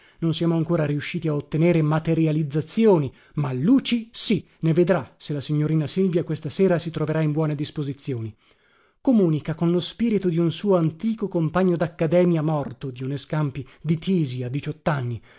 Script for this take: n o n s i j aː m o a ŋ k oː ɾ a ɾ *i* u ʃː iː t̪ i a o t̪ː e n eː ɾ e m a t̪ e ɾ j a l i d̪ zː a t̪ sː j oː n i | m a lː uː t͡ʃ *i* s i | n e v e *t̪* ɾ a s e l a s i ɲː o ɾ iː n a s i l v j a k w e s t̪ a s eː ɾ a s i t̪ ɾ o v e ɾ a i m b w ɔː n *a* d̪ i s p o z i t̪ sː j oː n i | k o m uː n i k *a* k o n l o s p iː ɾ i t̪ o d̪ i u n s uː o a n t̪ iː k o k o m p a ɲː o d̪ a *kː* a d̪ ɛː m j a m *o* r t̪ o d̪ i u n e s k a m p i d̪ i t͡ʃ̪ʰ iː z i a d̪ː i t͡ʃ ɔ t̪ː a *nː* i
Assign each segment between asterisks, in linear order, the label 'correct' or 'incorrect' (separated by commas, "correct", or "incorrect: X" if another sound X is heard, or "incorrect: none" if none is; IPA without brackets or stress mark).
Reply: correct, correct, incorrect: d̪, incorrect: e, correct, correct, incorrect: ɔ, correct